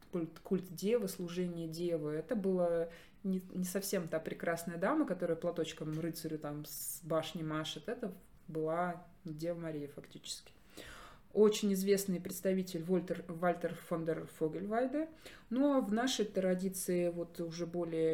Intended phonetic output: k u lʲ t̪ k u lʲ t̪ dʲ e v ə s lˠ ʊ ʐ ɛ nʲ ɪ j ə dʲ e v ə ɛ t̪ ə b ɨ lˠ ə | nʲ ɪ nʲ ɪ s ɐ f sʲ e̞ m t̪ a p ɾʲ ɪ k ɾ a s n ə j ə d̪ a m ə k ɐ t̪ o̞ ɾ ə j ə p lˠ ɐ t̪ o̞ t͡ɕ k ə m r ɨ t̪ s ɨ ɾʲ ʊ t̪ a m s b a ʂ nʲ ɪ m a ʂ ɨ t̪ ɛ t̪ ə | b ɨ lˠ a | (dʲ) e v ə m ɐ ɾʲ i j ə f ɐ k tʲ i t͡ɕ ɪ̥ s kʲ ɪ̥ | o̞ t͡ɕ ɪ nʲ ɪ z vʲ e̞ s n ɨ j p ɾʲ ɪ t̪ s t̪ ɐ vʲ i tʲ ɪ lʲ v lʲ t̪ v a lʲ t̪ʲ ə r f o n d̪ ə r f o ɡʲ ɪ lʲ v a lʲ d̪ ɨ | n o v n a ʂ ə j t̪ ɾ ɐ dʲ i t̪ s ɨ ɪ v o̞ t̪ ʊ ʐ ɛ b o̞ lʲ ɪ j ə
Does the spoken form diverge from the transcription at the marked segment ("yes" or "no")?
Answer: no